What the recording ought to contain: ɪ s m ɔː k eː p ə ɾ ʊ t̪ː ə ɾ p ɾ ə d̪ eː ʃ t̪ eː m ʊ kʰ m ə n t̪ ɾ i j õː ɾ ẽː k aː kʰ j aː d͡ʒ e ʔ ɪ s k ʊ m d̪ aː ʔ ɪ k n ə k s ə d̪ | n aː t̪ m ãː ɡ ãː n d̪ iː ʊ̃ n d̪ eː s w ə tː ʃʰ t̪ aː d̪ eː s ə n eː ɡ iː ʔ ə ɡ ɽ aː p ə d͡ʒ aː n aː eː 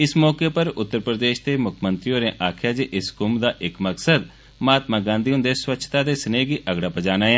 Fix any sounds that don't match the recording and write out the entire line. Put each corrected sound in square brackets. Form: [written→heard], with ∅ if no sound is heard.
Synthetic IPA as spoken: ɪ s m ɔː k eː p ə ɾ ʊ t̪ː ə ɾ p ɾ ə d̪ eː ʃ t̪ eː m ʊ kʰ m ə n t̪ ɾ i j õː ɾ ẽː [k→ʔ] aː kʰ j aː d͡ʒ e ʔ ɪ s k ʊ m d̪ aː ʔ ɪ k [n→m] ə k s ə d̪ | [n→m] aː t̪ m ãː ɡ ãː n d̪ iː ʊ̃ n d̪ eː s w ə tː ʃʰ t̪ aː d̪ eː s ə n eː ɡ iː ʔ ə ɡ ɽ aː p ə d͡ʒ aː n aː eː